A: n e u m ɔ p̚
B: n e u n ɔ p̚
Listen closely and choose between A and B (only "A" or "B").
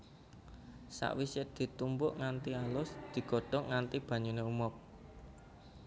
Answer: A